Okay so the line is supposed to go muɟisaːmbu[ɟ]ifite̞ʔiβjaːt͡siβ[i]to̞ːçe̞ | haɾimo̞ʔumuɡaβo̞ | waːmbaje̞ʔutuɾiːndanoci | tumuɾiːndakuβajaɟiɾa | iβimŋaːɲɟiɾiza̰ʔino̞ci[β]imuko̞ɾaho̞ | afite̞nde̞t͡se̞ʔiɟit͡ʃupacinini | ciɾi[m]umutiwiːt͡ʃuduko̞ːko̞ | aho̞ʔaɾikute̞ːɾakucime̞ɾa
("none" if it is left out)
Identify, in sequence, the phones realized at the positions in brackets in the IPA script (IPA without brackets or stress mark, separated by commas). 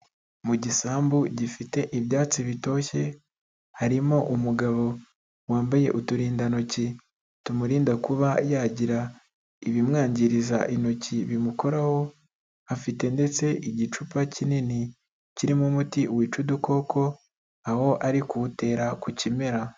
ɟ, i, β, m